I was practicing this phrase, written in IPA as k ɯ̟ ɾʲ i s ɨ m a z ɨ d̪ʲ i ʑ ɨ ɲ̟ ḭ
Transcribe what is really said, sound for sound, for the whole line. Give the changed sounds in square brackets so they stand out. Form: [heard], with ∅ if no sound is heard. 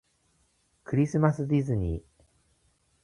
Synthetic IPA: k ɯ̟ ɾʲ i s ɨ m a [s] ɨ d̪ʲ i [z] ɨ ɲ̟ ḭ